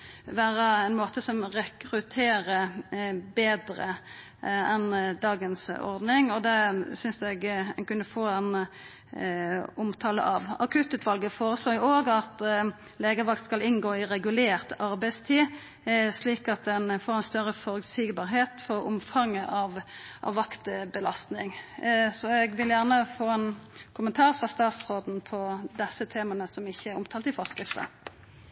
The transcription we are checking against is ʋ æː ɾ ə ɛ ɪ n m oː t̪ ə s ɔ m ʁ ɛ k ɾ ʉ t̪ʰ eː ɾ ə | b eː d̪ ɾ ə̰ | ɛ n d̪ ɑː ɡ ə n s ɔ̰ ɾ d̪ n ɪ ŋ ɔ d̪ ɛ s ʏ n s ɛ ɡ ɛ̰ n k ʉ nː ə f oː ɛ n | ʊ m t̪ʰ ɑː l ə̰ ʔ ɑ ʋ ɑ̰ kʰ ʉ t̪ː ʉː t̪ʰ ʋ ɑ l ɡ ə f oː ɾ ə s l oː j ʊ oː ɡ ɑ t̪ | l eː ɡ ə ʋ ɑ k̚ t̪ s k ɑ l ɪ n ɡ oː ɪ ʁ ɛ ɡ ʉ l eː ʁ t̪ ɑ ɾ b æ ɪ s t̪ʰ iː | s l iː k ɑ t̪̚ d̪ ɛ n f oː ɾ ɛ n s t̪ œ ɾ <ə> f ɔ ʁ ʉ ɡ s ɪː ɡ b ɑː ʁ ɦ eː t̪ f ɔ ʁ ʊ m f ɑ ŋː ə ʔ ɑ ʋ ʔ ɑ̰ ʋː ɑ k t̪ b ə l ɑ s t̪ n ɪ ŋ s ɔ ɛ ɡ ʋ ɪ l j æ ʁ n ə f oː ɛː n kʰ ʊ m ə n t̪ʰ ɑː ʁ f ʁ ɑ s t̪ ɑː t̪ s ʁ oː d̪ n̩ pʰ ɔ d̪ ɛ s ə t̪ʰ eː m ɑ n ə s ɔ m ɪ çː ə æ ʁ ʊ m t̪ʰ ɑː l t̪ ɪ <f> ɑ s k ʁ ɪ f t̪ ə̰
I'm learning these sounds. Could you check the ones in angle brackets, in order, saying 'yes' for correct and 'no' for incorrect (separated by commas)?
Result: yes, yes